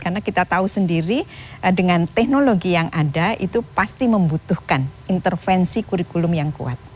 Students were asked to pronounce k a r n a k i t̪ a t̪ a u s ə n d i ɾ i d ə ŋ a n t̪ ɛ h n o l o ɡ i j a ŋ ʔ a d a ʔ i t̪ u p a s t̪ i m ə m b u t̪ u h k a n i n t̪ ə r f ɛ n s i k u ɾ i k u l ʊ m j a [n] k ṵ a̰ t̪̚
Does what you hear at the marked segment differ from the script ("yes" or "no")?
yes